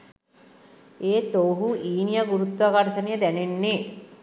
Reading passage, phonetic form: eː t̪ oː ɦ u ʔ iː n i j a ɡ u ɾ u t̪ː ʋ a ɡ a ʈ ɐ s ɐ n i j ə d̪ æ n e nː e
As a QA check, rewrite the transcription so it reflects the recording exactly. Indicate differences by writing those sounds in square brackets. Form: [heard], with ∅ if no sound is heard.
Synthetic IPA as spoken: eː t̪ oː ɦ u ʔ iː n i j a ɡ u ɾ u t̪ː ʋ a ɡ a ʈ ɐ s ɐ n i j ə d̪ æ n e nː e